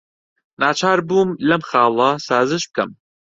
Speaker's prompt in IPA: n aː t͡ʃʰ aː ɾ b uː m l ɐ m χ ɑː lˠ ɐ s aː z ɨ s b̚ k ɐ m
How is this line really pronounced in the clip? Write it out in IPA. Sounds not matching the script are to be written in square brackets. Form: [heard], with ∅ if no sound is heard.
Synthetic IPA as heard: n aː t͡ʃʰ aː ɾ b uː m l ɐ m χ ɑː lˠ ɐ s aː z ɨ [ʃ] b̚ k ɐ m